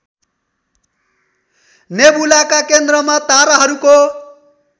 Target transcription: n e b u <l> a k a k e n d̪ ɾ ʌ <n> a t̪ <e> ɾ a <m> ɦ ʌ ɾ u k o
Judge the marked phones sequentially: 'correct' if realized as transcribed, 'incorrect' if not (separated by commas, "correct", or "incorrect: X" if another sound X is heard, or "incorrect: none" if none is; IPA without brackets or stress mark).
correct, incorrect: m, incorrect: a, incorrect: none